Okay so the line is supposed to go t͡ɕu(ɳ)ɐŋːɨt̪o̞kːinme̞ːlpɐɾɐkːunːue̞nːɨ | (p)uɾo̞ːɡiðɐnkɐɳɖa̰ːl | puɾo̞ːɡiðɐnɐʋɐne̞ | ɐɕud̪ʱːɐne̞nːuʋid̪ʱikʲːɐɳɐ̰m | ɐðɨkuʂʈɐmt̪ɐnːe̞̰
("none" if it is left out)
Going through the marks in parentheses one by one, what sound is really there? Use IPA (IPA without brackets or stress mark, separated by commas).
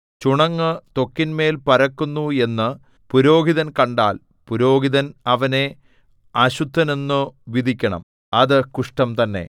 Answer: ɳ, p